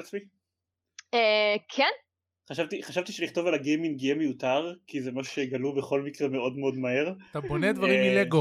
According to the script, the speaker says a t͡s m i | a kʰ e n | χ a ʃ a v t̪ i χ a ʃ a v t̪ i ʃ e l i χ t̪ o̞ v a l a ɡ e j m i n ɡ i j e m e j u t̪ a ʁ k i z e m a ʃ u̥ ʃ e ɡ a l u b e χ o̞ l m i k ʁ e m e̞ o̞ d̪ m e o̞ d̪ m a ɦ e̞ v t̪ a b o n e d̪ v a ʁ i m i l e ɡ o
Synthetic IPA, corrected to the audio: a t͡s m i | e kʰ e n | χ a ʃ a v t̪ i χ a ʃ a v t̪ i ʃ e l i χ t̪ o̞ v a l a ɡ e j m i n ɡ i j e m e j u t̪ a ʁ k i z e m a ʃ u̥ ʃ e ɡ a l u b e χ o̞ l m i k ʁ e m e̞ o̞ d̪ m e o̞ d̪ m a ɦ e̞ ʁ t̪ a b o n e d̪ v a ʁ i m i l e ɡ o